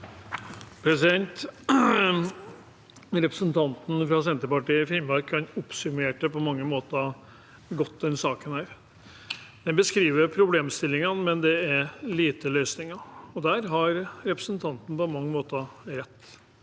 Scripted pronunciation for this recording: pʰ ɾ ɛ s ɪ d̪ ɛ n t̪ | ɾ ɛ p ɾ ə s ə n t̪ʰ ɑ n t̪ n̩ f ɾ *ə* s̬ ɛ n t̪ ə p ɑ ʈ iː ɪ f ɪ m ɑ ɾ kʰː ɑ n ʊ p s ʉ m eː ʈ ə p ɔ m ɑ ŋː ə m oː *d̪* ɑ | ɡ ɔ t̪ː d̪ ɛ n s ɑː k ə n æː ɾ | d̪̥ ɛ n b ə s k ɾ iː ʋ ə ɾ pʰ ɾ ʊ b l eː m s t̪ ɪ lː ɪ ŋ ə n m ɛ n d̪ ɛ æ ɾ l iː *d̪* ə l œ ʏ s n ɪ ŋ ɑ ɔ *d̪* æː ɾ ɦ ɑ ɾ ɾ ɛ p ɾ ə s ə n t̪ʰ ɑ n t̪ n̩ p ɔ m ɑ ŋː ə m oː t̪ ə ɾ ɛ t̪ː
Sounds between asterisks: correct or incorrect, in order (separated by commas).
incorrect, incorrect, incorrect, correct